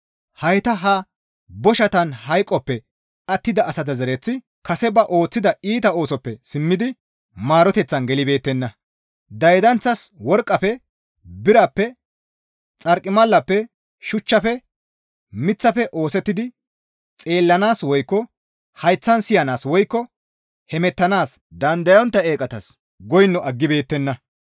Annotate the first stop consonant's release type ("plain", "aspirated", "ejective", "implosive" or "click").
plain